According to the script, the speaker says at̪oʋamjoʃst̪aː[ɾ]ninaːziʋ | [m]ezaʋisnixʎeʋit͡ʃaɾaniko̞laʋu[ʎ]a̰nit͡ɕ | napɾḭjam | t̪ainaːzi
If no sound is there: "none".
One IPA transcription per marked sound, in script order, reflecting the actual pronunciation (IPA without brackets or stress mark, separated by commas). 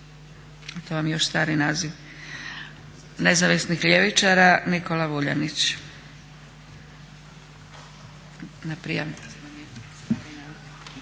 ɾ, n, ʎ